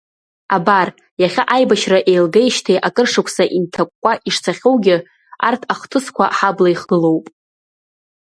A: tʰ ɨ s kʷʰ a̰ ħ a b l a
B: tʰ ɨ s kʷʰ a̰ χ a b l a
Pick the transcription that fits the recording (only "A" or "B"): A